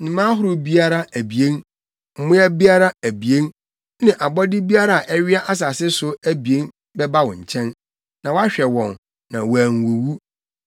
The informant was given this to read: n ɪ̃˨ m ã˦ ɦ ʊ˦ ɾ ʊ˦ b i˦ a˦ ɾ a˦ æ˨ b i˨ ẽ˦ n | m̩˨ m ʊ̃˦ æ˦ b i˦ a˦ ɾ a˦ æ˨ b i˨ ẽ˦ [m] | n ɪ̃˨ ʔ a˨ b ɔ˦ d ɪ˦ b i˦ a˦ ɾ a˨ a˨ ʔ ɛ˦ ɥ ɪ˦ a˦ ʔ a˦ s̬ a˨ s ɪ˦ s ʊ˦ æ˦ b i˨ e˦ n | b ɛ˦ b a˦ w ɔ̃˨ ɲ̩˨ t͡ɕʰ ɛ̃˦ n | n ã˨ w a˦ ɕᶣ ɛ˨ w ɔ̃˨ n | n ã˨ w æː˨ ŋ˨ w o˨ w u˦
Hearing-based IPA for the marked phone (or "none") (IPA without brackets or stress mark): n